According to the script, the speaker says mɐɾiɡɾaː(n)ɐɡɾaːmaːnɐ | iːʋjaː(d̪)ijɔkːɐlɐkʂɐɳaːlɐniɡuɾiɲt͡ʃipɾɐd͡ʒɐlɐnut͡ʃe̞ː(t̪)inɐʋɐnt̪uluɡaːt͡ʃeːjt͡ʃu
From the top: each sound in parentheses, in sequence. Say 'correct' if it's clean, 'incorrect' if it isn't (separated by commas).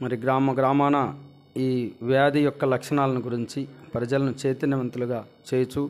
incorrect, correct, correct